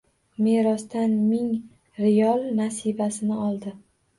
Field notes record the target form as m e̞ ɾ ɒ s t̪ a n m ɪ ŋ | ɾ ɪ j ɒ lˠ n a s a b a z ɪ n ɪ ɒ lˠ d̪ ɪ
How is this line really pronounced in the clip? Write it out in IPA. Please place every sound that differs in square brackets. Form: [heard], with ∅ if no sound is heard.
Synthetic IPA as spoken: m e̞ ɾ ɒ s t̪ a n m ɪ ŋ | ɾ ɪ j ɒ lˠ n a s [i] b a [s] ɪ n ɪ ɒ lˠ d̪ ɪ